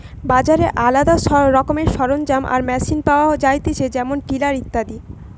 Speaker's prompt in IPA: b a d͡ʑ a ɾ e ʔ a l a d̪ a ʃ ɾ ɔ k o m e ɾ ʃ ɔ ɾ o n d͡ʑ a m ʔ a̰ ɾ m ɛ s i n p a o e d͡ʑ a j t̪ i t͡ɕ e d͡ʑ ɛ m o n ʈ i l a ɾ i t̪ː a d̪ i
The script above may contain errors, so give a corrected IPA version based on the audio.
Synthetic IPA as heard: b a d͡ʑ a ɾ e ʔ a l a d̪ a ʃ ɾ ɔ k o m e ɾ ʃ ɔ ɾ o n d͡ʑ a m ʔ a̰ ɾ m ɛ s i n p a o a d͡ʑ a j t̪ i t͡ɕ e d͡ʑ ɛ m o n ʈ i l a ɾ i t̪ː a d̪ i